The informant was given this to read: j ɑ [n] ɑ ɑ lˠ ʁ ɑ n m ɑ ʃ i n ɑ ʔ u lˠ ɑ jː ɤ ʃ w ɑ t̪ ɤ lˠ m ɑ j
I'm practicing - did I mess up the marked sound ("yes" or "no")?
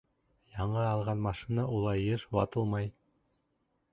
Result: yes